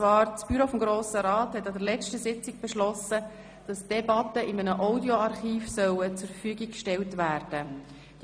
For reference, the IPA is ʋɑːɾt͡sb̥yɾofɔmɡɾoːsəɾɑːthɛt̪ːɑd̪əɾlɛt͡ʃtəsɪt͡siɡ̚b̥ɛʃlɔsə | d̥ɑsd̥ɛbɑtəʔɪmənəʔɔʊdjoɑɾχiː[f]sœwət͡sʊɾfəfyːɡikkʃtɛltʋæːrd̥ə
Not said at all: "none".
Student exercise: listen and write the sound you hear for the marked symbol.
f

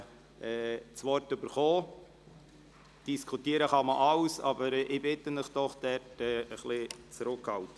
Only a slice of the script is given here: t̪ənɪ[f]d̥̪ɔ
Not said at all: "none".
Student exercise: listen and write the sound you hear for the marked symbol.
χ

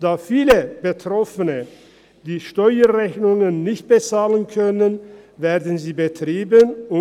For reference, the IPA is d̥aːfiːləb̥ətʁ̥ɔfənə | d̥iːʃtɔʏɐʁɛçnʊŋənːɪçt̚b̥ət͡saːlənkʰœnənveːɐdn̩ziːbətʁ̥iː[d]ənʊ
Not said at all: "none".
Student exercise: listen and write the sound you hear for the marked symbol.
b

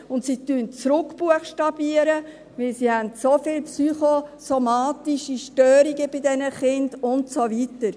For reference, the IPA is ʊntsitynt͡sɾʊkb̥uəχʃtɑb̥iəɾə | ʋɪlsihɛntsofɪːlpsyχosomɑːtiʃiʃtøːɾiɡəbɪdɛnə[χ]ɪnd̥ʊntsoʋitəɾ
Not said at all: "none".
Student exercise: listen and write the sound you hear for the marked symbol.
χ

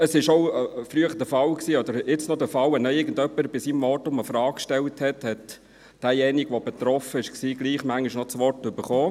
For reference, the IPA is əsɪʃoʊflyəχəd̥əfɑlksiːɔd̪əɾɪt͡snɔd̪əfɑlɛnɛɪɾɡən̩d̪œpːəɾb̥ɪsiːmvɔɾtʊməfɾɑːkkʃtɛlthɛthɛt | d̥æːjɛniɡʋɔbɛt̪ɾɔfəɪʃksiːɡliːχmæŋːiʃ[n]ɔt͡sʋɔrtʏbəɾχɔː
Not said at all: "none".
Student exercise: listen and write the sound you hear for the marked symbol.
n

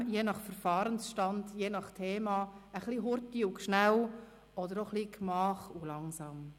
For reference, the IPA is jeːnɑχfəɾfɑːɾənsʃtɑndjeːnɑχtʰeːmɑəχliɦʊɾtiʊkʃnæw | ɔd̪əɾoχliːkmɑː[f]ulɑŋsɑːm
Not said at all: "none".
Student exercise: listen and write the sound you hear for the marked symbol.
χ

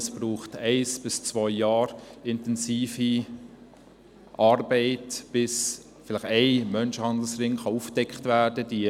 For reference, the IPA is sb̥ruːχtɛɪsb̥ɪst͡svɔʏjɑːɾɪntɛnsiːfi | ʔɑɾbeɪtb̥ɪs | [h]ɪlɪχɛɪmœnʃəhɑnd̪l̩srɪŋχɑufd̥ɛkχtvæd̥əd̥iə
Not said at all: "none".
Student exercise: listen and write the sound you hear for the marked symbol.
f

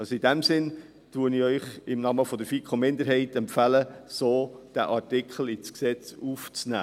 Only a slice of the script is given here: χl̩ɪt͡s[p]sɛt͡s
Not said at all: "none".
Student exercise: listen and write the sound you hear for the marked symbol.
k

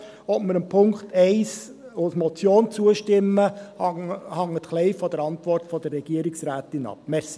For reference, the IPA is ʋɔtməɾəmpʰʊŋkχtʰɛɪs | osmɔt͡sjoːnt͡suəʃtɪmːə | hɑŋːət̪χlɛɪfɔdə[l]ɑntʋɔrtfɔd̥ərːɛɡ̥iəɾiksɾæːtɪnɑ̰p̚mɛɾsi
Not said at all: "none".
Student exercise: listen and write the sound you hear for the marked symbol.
ɾ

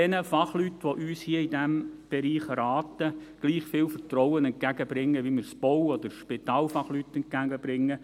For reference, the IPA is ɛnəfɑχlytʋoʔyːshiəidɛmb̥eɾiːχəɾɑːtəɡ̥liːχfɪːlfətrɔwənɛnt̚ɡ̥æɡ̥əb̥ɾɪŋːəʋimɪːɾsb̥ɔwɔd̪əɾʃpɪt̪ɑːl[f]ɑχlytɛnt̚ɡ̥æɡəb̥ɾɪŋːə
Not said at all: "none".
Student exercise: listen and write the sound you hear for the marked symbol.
f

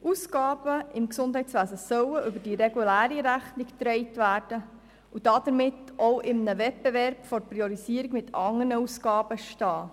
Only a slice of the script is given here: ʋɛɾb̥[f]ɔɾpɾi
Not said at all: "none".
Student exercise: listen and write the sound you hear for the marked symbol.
f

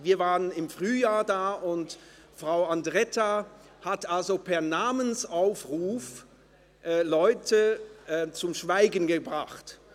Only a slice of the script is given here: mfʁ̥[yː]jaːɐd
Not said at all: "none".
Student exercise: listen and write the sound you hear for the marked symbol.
yː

